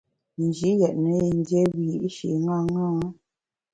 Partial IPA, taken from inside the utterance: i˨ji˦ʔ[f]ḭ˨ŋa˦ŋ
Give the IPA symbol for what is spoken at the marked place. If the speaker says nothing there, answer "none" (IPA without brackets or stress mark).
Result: ʃ